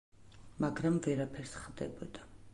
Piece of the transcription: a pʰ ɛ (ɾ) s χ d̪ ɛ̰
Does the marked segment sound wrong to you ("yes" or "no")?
no